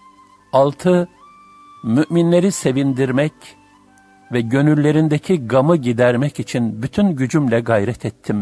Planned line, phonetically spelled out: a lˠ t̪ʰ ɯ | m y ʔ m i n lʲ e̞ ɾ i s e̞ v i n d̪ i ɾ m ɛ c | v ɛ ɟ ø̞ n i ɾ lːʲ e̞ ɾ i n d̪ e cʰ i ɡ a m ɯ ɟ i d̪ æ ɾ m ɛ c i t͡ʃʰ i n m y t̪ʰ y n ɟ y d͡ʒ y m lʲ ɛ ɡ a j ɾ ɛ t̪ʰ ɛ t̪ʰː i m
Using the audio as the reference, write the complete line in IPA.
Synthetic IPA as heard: a lˠ t̪ʰ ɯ | m y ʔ m i n lʲ e̞ ɾ i s e̞ v i n d̪ i ɾ m ɛ c | v ɛ ɟ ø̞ n y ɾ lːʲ e̞ ɾ i n d̪ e cʰ i ɡ a m ɯ ɟ i d̪ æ ɾ m ɛ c i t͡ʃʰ i n b y t̪ʰ y n ɟ y d͡ʒ y m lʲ ɛ ɡ a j ɾ ɛ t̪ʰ ɛ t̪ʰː i m